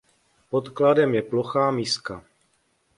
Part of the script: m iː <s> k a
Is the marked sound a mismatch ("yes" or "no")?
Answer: no